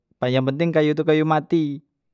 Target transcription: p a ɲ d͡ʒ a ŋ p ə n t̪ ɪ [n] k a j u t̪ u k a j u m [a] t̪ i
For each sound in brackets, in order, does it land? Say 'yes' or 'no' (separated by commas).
no, yes